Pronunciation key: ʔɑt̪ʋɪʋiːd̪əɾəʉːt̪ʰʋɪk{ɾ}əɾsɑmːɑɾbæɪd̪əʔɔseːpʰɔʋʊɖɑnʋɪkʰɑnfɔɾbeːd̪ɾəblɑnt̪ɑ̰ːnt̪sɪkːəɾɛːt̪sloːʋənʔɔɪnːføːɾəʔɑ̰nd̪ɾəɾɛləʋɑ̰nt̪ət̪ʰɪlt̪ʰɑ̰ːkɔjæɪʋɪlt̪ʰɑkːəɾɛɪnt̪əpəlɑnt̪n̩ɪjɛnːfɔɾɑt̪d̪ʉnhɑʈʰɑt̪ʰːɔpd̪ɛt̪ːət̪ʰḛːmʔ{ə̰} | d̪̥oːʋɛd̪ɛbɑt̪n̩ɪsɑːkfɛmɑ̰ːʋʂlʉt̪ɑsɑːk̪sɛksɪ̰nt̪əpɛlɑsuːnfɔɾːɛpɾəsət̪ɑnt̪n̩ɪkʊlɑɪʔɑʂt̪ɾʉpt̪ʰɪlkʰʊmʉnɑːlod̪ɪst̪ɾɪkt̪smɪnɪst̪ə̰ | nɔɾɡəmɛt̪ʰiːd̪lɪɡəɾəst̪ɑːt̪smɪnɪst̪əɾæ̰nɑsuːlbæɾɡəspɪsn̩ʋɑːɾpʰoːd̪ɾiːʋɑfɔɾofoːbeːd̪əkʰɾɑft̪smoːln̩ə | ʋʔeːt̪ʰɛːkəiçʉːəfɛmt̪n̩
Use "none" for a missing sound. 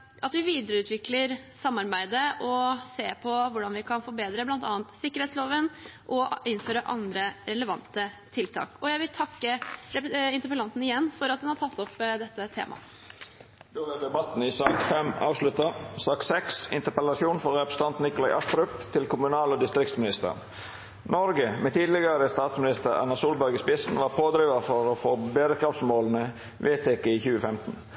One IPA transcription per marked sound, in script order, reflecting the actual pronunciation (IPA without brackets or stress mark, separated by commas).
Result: l, ɑ̰